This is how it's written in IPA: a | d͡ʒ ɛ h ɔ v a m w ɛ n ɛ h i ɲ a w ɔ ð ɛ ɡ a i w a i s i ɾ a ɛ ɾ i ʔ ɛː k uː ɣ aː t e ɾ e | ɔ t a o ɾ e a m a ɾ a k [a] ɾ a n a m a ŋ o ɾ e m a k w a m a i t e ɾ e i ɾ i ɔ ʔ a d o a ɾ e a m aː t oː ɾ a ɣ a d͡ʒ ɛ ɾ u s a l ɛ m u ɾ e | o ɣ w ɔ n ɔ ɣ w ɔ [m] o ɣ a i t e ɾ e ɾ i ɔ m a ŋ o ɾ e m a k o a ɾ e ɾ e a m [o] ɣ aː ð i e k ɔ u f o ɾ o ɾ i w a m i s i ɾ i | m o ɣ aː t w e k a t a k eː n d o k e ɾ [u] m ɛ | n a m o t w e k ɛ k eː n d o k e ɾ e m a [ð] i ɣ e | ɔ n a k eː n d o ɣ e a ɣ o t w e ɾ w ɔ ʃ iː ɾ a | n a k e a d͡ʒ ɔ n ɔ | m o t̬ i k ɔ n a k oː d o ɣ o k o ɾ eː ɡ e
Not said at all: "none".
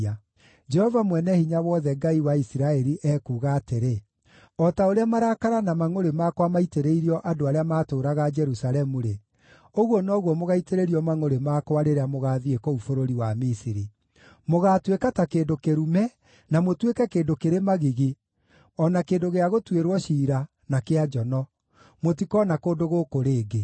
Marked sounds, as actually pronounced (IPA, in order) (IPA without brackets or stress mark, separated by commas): a, m, o, u, ɣ